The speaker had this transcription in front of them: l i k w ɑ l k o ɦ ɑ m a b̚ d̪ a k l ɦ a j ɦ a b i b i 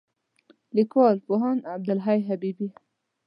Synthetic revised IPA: l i k w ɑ l p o ɦ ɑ n a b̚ d̪ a l ɦ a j ɦ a b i b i